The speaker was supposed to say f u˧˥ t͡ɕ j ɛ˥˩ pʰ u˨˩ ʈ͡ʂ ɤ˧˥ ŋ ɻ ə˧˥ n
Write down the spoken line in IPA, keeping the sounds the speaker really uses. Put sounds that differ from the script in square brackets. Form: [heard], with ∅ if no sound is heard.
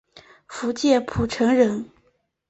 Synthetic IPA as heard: f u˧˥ t͡ɕ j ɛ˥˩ pʰ u˨˩ [ʈ͡ʂʰ] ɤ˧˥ ŋ ɻ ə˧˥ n